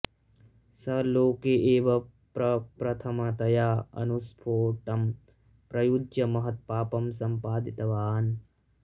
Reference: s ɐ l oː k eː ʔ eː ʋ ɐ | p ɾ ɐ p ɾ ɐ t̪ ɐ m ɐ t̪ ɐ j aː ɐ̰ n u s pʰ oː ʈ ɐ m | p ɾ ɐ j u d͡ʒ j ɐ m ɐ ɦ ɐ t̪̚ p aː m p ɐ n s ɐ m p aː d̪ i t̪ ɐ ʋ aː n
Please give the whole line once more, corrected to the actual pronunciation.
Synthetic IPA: s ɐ l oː k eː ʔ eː ʋ ɐ | p ɾ ɐ p ɾ ɐ t̪ʰ ɐ m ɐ t̪ ɐ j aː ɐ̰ n u s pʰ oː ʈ ɐ m | p ɾ ɐ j u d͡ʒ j ɐ m ɐ ɦ ɐ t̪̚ p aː p ɐ m s ɐ m p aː d̪ i t̪ ɐ ʋ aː n

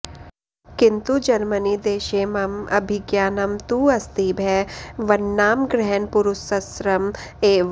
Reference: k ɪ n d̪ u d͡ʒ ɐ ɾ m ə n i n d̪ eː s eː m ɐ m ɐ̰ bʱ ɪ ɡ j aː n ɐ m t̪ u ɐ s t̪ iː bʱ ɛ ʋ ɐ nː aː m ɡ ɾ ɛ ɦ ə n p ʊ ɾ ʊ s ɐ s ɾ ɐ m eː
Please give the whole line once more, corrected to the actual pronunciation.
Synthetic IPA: k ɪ n t̪ u d͡ʒ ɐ ɾ m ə n i d̪ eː ʃ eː m ɐ m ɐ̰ bʱ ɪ ɡ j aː n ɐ m t̪ u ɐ s t̪ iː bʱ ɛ ʋ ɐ nː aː m ɡ ɾ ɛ ɦ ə n p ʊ ɾ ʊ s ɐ s ɾ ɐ m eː

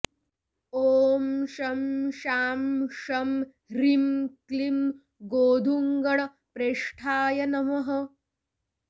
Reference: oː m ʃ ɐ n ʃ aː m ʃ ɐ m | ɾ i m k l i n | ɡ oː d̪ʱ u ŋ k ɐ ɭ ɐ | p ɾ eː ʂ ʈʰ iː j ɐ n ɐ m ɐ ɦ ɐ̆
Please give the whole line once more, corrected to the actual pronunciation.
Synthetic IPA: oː m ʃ ɐ m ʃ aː m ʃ ɐ m | ɾ i m k l i m | ɡ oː d̪ʱ u ŋ ɡ ɐ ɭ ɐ | p ɾ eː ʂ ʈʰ aː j ɐ n ɐ m ɐ ɦ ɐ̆

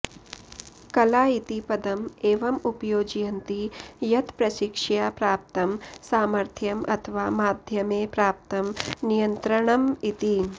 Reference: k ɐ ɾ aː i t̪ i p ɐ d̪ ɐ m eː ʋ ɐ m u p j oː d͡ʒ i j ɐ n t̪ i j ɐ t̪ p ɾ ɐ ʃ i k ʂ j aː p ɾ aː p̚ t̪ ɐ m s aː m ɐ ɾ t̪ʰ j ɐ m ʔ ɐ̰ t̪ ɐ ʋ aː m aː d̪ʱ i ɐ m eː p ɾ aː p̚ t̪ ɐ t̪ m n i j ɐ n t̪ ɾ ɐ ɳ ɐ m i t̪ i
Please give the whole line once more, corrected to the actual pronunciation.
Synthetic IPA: k ɐ l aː i t̪ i p ɐ d̪ ɐ m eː ʋ ɐ m u p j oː d͡ʒ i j ɐ n t̪ i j ɐ t̪ p ɾ ɐ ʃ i k ʂ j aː p ɾ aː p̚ t̪ ɐ m s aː m ɐ ɾ t̪ʰ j ɐ m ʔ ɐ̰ t̪ʰ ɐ ʋ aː m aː d̪ʱ j ɐ m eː p ɾ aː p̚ t̪ ɐ m n i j ɐ n t̪ ɾ ɐ ɳ ɐ m i t̪ i

